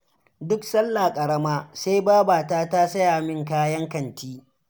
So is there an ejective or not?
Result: yes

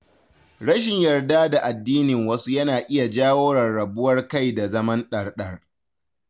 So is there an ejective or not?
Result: no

